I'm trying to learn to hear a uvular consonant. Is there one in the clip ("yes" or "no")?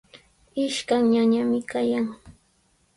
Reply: no